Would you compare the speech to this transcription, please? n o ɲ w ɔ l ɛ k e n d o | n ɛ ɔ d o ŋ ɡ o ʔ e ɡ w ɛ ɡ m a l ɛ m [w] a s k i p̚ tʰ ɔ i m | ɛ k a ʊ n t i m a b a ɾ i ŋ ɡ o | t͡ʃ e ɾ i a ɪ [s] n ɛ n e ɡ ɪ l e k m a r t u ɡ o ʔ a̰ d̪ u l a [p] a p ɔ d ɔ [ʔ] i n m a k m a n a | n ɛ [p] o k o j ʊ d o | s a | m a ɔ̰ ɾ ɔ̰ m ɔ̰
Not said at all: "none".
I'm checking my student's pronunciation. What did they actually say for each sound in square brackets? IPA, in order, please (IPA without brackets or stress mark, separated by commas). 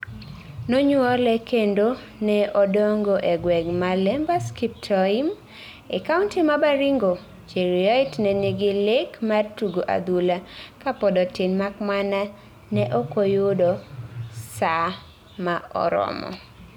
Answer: b, t, k, t, ʔ